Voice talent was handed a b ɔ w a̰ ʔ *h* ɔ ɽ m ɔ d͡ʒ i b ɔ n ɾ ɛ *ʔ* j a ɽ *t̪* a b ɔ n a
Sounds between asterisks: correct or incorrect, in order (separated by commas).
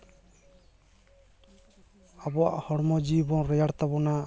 correct, incorrect, correct